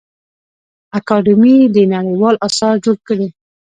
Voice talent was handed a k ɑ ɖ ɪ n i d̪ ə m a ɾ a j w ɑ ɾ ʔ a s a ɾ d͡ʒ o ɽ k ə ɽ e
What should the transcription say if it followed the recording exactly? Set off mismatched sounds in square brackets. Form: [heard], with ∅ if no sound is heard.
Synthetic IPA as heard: a k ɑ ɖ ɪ [m] i d̪ ə [n] a [ɽ] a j w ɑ [l] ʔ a s [ɑ] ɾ d͡ʒ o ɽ k ə ɽ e

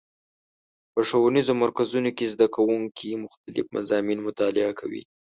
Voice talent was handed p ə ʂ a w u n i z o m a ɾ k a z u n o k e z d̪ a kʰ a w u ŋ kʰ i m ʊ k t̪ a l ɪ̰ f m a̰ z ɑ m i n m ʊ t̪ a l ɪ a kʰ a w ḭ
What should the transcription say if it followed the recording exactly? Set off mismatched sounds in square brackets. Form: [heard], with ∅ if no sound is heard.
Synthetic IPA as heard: p ə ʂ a w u n i z o m a ɾ k a z u n o k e z d̪ a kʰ a w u ŋ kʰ i m ʊ [x] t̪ a l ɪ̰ f m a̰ z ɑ m i n m ʊ t̪ [ɑ] l ɪ a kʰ a w ḭ

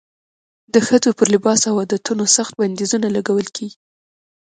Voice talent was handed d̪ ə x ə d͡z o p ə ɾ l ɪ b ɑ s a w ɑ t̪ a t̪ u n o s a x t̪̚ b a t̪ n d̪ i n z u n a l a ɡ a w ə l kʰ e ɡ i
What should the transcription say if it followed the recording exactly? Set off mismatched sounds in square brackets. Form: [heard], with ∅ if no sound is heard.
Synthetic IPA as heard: d̪ ə x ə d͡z o p ə ɾ l ɪ b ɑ s a w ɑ [d̪] a t̪ u n o s a x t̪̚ b a [∅] n d̪ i [∅] z u n a l a ɡ a w ə l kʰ e ɡ i

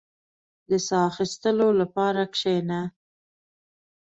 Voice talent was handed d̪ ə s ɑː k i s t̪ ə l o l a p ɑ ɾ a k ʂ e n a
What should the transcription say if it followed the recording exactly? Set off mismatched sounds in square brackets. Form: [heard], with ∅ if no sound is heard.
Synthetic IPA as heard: d̪ ə s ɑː [x] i s t̪ ə l o l a p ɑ ɾ a k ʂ e n a

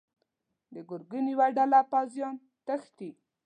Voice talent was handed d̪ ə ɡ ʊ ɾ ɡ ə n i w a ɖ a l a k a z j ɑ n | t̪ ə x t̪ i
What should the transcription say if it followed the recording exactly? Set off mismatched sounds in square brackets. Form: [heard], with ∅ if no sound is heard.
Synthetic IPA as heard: d̪ ə ɡ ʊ ɾ ɡ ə n i w a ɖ a l a [p] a z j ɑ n | t̪ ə x t̪ i

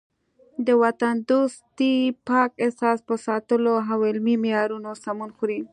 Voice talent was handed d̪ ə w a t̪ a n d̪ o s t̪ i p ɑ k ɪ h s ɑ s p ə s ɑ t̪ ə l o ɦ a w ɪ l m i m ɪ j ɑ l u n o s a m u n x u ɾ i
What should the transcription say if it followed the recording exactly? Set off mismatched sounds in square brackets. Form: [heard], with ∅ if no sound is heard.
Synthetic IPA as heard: d̪ ə w a t̪ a n d̪ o s t̪ i p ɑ k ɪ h s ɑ s p ə s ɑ t̪ ə l o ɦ a w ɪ l m i m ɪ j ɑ [ɾ] u n o s a m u n x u ɾ i

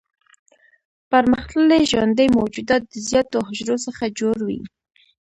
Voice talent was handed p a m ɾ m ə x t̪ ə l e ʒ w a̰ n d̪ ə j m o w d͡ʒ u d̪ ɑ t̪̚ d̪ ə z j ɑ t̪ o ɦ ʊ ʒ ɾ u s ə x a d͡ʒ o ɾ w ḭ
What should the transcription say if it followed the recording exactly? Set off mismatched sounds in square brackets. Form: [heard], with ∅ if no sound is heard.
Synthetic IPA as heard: p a [∅] ɾ m ə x t̪ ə l e ʒ w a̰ n d̪ ə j m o w d͡ʒ u d̪ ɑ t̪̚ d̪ ə z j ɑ t̪ o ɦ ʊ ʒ ɾ [o] s ə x a d͡ʒ o ɾ w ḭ

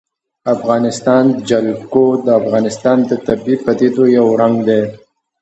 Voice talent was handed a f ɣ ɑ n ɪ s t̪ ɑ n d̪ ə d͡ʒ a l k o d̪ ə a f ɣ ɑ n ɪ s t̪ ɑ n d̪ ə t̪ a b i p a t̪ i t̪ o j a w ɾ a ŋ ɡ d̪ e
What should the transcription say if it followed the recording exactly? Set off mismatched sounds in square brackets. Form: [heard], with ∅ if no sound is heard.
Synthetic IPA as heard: a f ɣ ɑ n ɪ s t̪ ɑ n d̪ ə d͡ʒ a l k o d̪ ə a f ɣ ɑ n ɪ s t̪ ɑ n d̪ ə t̪ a b i p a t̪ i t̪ o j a w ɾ a ŋ ɡ d̪ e

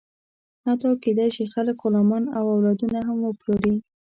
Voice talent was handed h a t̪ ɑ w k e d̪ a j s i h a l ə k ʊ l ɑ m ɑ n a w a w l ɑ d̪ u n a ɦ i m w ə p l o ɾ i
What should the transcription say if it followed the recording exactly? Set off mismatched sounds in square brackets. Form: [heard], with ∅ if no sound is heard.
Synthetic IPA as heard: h a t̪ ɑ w k e d̪ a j [ʃ] i [x] a l ə k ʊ l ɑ m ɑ n a w a w l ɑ d̪ u n a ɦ [a] m w ə p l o ɾ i

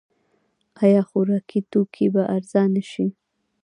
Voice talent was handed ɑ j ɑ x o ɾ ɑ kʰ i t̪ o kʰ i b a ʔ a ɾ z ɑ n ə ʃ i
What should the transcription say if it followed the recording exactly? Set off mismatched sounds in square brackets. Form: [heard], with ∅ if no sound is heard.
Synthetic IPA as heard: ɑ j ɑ x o ɾ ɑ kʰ i t̪ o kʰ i b a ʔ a ɾ z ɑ n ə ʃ i

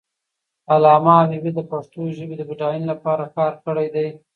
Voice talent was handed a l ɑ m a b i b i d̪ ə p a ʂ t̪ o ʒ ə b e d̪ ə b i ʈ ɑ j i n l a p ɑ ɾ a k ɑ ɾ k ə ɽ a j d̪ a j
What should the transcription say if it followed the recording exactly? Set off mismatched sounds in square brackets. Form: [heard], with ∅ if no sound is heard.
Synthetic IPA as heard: a l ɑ m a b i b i d̪ ə p a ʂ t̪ o ʒ ə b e d̪ ə b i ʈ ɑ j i n l a p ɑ ɾ a k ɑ ɾ k ə ɽ a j d̪ a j

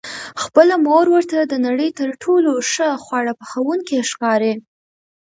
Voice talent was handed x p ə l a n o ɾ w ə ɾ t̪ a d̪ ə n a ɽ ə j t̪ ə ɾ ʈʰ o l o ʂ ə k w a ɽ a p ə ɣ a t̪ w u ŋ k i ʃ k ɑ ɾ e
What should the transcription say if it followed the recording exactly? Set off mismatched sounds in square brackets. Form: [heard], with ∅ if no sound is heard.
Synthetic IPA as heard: x p ə l a [m] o ɾ w ə ɾ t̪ a d̪ ə n a ɽ ə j t̪ ə ɾ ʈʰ o l o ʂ ə [x] w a ɽ a p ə [x] a [∅] w u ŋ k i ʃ k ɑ ɾ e

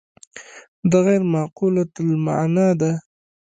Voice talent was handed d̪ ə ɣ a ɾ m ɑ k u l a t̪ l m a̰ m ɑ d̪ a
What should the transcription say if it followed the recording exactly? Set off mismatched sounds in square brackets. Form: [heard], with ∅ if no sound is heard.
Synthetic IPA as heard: d̪ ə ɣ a ɾ m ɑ [q] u l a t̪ l m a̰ [n] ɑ d̪ a

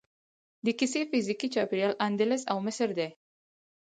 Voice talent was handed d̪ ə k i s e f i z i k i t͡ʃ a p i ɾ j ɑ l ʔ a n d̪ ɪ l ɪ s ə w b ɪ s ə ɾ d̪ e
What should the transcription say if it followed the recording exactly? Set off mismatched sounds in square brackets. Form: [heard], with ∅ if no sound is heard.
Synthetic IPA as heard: d̪ ə k i s e f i z i k i t͡ʃ [ɑ] p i ɾ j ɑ l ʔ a n d̪ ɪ l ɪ s [a] w [m] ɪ s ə ɾ d̪ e

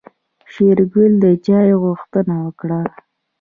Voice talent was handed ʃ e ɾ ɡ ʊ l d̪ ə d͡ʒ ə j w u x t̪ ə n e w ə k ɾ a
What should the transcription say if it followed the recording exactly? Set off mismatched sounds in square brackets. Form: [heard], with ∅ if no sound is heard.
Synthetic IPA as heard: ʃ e ɾ ɡ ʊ l d̪ ə d͡ʒ [ɑ] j [ɣ] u x t̪ ə n [a] w ə k [ɽ] a

